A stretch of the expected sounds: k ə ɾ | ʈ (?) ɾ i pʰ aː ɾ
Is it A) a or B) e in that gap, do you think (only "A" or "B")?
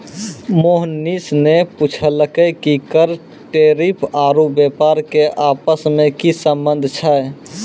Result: B